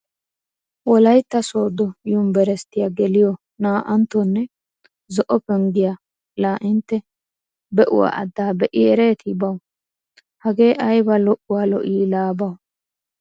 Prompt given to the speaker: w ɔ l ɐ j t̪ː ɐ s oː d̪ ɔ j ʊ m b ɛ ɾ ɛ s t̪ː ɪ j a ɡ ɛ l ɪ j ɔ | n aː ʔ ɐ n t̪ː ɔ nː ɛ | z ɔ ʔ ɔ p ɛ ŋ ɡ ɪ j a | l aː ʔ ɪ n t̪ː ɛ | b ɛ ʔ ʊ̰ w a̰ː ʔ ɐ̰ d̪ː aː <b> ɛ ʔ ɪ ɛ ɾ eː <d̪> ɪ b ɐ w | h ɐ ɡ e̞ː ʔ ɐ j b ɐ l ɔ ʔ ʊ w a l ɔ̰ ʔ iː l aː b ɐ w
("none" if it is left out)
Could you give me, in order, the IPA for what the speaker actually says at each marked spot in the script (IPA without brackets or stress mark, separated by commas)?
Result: b, t̪